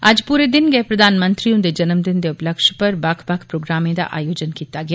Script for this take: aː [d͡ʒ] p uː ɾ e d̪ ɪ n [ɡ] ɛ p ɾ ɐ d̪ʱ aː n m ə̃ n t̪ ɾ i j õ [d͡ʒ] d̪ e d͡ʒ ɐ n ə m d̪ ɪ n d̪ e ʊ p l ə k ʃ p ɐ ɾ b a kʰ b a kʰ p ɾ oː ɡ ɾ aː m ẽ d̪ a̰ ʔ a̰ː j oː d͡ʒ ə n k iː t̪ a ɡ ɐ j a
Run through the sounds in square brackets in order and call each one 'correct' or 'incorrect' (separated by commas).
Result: correct, correct, incorrect